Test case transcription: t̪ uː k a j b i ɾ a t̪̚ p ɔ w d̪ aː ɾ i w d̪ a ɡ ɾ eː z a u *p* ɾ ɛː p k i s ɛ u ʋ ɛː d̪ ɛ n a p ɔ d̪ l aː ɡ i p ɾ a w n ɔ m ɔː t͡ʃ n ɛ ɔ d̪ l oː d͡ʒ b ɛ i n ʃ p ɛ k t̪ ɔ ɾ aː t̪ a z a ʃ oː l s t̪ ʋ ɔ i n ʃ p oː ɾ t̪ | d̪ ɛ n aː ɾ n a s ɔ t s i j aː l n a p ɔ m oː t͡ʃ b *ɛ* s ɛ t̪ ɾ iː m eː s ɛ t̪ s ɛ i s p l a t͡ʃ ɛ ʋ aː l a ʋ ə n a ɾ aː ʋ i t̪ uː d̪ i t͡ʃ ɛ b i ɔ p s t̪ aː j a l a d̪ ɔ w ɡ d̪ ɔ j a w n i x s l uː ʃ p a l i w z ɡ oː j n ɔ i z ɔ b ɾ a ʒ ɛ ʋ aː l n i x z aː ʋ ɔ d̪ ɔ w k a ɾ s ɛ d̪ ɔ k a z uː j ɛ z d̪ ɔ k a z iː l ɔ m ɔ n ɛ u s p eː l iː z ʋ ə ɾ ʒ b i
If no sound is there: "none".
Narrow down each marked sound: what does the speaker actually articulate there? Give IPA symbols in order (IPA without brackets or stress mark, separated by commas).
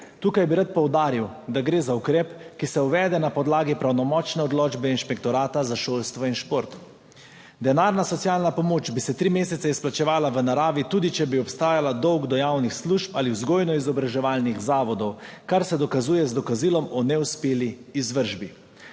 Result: k, i